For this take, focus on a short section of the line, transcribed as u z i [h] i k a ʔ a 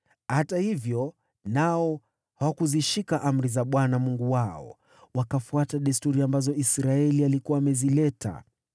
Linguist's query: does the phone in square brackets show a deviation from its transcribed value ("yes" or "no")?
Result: yes